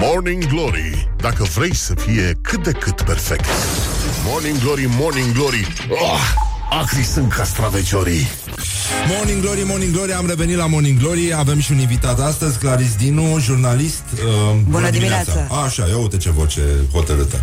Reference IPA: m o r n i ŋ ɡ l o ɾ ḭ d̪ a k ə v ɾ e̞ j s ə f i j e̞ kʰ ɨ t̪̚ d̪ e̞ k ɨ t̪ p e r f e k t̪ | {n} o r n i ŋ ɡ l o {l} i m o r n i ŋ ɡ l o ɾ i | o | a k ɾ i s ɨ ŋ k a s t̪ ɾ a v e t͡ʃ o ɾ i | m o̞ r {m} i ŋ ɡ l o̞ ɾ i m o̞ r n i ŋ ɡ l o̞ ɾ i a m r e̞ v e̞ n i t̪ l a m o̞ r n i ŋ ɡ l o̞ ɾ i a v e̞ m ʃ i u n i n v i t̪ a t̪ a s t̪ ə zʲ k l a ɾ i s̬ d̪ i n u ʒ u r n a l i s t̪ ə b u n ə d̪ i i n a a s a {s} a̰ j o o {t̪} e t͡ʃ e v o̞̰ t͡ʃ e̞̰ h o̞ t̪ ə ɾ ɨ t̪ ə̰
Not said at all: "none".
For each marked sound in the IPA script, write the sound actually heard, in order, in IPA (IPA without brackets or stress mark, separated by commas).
m, ɾ, n, ʃ, t̪